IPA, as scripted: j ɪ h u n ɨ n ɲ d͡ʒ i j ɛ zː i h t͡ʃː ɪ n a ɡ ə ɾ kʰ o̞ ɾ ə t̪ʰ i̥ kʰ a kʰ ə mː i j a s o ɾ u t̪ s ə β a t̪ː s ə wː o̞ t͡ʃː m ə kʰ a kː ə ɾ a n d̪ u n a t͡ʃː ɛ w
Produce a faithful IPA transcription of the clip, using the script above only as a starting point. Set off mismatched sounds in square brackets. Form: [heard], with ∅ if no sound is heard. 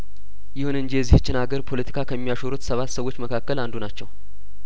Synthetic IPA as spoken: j ɪ h u n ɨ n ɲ d͡ʒ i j ɛ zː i h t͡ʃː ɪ n a ɡ ə ɾ [pʰ] o̞ [l] ə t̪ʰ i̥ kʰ a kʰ ə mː i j a [ʃ] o ɾ u t̪ s ə β a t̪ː s ə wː o̞ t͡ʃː m ə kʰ a kː ə [l] a n d̪ u n a t͡ʃː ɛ w

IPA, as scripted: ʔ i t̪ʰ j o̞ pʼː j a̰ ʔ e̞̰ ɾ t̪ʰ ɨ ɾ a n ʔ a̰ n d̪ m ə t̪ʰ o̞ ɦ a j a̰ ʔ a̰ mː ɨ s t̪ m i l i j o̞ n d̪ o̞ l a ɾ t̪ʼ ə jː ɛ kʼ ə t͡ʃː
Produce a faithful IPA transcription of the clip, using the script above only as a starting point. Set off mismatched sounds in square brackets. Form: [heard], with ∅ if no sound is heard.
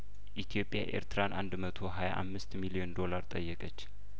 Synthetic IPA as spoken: ʔ i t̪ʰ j o̞ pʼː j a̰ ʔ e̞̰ ɾ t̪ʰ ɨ ɾ a n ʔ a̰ n d̪ m ə t̪ʰ o̞ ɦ a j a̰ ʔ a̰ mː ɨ s t̪ m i l i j o̞ n d̪ o̞ l a ɾ t̪ʼ ə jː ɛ kʼ ə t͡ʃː

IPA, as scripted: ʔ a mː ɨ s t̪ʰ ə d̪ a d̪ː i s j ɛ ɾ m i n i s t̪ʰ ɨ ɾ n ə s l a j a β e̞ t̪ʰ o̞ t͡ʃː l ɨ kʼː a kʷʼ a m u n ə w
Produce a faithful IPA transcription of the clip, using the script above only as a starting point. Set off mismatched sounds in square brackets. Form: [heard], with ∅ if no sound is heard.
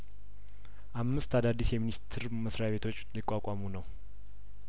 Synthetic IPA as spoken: ʔ a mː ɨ s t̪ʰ [a] d̪ a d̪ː i s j ɛ [∅] m i n i s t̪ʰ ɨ ɾ [m] ə s [ɾ] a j a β e̞ t̪ʰ o̞ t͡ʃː l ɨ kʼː a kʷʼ a m u n ə w

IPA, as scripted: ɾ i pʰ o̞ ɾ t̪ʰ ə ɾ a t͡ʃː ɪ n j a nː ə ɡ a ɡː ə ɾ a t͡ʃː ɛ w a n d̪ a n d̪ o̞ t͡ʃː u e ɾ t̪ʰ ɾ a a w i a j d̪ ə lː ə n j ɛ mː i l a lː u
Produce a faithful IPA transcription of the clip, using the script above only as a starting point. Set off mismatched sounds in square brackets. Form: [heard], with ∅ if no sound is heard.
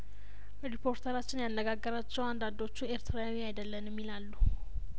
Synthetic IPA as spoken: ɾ i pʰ o̞ ɾ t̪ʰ ə ɾ a t͡ʃː ɪ n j a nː ə ɡ a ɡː ə ɾ a t͡ʃː ɛ w a n d̪ a n d̪ o̞ t͡ʃː u e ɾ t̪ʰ ɾ a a w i a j d̪ ə lː ə n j ɛ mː i l a lː u

